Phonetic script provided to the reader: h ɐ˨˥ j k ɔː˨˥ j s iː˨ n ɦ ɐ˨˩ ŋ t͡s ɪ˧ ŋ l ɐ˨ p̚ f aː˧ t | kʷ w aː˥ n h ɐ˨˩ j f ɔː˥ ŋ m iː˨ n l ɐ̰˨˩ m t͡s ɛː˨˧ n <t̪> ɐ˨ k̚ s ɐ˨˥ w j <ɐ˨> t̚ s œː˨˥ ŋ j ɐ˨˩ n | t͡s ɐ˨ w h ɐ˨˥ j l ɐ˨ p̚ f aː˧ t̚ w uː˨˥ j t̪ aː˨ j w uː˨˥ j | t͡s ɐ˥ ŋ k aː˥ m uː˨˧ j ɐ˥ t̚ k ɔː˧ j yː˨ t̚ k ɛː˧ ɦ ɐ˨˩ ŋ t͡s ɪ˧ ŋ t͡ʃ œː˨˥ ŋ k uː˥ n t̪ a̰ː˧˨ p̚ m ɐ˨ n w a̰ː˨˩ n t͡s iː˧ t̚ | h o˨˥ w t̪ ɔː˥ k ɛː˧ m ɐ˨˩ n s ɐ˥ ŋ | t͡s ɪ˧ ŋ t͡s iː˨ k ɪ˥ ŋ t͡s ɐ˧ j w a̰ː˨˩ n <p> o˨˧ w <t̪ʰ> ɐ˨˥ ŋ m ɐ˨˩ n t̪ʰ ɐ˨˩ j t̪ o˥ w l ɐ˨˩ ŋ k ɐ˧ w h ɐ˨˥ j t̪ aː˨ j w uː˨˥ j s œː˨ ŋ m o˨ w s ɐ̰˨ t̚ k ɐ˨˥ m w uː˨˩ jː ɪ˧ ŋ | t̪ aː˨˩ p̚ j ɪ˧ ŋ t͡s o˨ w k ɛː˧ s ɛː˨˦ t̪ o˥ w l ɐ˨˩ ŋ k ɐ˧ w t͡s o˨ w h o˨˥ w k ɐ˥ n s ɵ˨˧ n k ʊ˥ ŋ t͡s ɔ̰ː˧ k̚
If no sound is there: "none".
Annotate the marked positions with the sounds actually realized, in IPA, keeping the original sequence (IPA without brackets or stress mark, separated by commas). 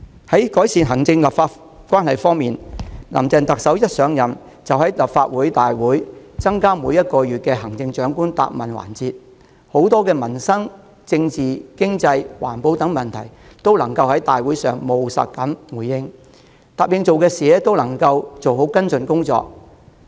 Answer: t̪, ɐ˥, p, t̪